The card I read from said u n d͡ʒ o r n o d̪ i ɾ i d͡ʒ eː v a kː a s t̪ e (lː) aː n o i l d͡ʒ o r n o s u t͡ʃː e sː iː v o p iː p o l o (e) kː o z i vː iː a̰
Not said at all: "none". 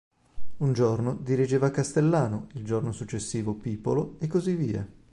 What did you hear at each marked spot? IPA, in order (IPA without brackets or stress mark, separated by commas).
lː, e